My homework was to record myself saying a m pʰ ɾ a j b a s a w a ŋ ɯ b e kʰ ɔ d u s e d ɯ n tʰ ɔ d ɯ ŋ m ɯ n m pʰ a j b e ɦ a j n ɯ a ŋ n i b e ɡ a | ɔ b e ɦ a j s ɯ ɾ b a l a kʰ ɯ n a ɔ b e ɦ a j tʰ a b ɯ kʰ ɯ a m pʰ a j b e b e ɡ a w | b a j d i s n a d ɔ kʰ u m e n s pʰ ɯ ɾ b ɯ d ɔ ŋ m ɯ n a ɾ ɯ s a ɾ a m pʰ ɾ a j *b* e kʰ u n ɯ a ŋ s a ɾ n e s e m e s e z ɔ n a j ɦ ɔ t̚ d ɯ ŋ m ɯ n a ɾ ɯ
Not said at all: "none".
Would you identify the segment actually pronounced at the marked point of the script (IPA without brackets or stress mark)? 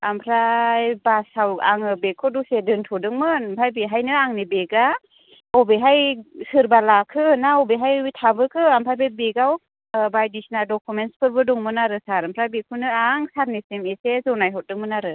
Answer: b